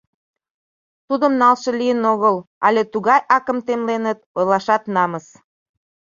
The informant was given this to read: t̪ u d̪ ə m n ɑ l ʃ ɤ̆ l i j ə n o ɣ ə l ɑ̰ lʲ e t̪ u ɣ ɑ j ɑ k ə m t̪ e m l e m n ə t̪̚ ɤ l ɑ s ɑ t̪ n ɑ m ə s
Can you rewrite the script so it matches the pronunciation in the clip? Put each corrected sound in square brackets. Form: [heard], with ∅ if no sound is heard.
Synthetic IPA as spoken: t̪ u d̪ ə m n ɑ l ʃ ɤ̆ l i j ə n o ɣ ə l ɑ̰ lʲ e t̪ u ɣ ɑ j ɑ k ə m t̪ e m l e [∅] n ə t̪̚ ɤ l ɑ [ʃ] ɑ t̪ n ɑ m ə s